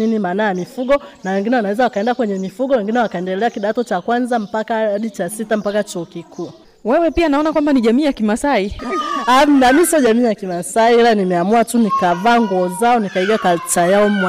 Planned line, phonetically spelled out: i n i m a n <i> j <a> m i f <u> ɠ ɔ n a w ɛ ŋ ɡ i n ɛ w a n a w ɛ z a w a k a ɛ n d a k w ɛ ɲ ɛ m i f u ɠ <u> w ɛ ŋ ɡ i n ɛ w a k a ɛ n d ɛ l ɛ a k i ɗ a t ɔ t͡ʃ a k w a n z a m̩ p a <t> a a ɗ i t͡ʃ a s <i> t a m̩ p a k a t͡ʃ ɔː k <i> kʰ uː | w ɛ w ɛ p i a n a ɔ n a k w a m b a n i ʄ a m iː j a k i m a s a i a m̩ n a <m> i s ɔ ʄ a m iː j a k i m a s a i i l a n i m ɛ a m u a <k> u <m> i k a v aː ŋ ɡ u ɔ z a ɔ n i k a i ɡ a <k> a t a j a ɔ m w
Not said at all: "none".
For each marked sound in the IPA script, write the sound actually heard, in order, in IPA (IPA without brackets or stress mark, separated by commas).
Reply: a, a, u, ɔ, k, i, i, m, t, n, k